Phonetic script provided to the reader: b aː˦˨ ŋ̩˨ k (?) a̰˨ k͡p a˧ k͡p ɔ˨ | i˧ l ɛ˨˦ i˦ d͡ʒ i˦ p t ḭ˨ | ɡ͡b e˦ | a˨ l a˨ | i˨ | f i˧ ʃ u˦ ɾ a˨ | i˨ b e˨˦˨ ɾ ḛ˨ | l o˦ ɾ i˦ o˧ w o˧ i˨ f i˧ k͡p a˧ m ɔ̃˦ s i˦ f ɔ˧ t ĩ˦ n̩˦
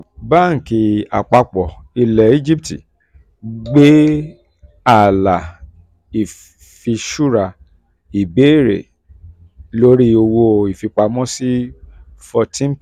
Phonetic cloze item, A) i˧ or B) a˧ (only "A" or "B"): A